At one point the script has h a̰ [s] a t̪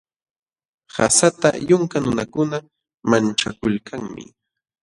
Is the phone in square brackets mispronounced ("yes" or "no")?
no